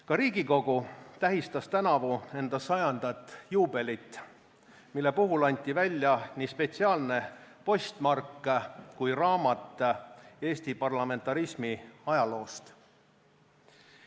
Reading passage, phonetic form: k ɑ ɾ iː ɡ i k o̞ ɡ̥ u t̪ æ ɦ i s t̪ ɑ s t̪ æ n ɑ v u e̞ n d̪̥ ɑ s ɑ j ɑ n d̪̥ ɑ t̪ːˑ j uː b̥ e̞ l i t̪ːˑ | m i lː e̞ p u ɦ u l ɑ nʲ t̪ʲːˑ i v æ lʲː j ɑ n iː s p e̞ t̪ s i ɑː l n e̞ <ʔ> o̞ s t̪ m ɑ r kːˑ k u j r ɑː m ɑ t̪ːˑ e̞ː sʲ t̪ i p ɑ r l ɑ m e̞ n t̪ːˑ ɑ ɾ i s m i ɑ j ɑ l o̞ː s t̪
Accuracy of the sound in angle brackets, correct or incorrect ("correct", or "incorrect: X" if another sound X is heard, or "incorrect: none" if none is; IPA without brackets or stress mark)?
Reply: incorrect: p